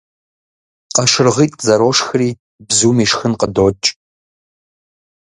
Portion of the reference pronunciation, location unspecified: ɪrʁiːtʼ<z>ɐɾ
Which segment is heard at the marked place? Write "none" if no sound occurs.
z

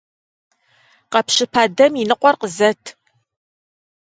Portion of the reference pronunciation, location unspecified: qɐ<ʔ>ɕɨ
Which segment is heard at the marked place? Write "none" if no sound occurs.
p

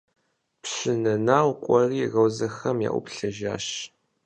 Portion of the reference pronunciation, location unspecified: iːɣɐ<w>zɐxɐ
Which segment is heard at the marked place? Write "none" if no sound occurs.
w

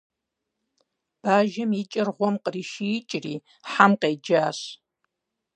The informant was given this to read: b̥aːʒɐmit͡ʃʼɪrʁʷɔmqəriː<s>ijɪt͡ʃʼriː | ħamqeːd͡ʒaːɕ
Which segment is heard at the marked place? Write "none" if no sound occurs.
ʃ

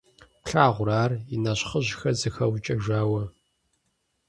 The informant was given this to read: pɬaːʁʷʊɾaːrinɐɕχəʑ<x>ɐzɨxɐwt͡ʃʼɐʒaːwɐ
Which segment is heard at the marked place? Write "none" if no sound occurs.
x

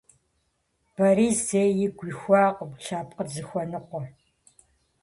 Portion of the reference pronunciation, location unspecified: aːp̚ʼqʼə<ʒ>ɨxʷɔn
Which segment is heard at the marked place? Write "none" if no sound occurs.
z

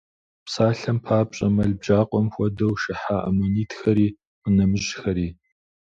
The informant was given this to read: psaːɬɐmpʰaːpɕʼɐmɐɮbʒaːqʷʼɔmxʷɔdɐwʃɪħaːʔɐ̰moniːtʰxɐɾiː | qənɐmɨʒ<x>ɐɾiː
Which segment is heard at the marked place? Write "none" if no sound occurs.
x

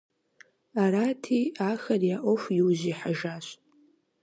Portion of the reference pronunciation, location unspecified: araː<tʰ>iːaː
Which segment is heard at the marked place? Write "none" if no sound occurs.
tʰ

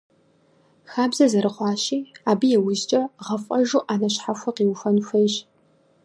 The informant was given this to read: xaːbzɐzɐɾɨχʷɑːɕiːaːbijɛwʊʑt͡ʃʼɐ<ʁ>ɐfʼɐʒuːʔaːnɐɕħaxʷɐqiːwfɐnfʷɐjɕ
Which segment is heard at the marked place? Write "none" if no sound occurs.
ʁ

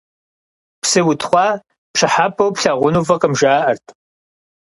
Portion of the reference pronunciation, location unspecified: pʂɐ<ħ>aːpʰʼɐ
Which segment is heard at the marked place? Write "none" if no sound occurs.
ħ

